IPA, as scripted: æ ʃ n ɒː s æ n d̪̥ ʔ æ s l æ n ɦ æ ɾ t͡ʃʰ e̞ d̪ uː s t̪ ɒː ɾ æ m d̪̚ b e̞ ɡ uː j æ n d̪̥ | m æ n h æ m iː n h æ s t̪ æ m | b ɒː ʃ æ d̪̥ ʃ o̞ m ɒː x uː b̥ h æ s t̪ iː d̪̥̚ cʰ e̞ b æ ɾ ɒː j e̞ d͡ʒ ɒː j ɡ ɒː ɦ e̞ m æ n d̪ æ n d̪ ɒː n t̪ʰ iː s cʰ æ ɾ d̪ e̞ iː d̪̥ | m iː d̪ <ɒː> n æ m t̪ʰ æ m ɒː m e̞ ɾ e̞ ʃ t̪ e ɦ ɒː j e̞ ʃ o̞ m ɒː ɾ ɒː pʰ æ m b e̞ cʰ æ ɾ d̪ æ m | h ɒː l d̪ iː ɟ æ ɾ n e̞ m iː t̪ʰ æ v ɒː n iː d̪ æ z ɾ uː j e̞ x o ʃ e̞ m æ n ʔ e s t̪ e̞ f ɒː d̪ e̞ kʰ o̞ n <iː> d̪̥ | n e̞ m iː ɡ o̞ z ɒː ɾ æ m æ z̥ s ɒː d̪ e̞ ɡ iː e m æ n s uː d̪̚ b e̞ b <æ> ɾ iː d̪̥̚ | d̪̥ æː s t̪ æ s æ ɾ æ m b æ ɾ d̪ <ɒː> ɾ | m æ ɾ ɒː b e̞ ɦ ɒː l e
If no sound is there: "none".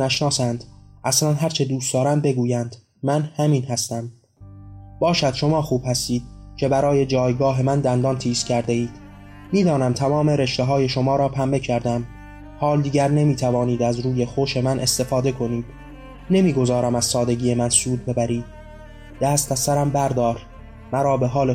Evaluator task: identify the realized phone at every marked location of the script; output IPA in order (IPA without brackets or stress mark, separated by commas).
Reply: ɒː, iː, æ, ɒː